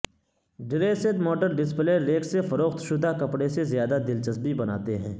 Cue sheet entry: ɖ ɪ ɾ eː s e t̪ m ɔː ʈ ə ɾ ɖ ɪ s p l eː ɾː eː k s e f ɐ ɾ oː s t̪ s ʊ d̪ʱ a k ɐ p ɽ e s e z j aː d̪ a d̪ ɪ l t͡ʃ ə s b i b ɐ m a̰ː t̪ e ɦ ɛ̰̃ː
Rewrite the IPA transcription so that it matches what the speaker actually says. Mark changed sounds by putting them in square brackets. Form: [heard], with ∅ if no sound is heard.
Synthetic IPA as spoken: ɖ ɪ ɾ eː s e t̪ m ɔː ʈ ə ɾ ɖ ɪ s p l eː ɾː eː k s e f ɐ ɾ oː [x] t̪ [ʃ] ʊ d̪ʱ a k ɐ p ɽ e s e z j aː d̪ a d̪ ɪ l t͡ʃ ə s b i b ɐ [n] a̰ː t̪ e ɦ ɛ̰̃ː